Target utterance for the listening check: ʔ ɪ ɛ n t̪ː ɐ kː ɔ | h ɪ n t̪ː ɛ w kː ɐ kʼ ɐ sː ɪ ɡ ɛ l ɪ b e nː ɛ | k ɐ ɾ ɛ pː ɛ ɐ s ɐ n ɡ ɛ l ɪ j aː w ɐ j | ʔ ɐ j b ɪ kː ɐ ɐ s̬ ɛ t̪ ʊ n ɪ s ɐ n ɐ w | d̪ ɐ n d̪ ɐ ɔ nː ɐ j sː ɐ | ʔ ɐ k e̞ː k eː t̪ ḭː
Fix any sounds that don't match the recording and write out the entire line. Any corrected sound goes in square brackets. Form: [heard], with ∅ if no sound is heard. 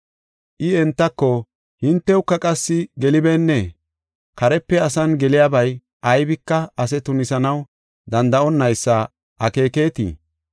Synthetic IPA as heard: ʔ ɪ ɛ n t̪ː ɐ kː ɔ | h ɪ n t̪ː ɛ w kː ɐ kʼ ɐ sː ɪ ɡ ɛ l ɪ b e nː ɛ | k ɐ ɾ ɛ pː ɛ ɐ s ɐ n ɡ ɛ l ɪ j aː [b] ɐ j | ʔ ɐ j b ɪ kː ɐ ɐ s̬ ɛ t̪ ʊ n ɪ s ɐ n ɐ w | d̪ ɐ n d̪ ɐ ɔ nː ɐ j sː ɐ | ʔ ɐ k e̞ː k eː t̪ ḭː